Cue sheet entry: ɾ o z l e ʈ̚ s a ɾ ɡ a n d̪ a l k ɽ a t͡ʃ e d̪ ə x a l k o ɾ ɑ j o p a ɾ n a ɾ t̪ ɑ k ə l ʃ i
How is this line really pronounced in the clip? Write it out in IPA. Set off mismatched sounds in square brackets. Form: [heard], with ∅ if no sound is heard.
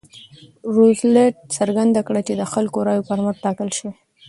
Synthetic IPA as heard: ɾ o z l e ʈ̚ s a ɾ ɡ a n d̪ a [∅] k ɽ a t͡ʃ e d̪ ə x a l k o ɾ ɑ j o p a ɾ [m] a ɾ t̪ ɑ k ə l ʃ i